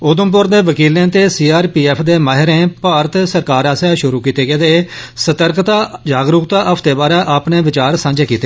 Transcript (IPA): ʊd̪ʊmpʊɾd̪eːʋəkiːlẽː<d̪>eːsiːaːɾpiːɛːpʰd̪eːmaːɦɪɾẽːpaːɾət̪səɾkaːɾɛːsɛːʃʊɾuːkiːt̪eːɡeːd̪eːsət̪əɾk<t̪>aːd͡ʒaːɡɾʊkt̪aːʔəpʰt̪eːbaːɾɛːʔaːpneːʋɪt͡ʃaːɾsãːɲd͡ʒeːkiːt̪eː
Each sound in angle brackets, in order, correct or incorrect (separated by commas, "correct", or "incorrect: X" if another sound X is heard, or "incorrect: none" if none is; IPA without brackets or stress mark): incorrect: t̪, correct